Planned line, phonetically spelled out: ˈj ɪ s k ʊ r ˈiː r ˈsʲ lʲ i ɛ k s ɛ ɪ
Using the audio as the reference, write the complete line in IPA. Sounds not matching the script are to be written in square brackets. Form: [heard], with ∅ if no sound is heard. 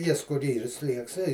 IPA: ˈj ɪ s k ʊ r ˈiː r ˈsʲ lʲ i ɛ k s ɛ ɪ